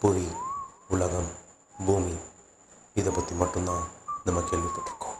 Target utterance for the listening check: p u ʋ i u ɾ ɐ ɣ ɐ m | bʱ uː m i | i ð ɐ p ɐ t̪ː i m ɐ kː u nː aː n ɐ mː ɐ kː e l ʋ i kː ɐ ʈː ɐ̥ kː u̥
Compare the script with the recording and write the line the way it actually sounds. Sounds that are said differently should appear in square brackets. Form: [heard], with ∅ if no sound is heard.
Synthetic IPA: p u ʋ i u [ɭ] ɐ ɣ ɐ m | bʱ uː m i | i ð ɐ p ɐ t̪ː i m ɐ [ʈː] u nː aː n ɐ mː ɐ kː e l ʋ i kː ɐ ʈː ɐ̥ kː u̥